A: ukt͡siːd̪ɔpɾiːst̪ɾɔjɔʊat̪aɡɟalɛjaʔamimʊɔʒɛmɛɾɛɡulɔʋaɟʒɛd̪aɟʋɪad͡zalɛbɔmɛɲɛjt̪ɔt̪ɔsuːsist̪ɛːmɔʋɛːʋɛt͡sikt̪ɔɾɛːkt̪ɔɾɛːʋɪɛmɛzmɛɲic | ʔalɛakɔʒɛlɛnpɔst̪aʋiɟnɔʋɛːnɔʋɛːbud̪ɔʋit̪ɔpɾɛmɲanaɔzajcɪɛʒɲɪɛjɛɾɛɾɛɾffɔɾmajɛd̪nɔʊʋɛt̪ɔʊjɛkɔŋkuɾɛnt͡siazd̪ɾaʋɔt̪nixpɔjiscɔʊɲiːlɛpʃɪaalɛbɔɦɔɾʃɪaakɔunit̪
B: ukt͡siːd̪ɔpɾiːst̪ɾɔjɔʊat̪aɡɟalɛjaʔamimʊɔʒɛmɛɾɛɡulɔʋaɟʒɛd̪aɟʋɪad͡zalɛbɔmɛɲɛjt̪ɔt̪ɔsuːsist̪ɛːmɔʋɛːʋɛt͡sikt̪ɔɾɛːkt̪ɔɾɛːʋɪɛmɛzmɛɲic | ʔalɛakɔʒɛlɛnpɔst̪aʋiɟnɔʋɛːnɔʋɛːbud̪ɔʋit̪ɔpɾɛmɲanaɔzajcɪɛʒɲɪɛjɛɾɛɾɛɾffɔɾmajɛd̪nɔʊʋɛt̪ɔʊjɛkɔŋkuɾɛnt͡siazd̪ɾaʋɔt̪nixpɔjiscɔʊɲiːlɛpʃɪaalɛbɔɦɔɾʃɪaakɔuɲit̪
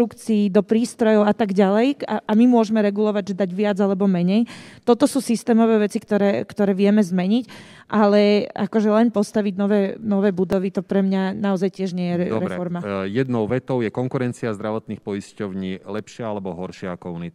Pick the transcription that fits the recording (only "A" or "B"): A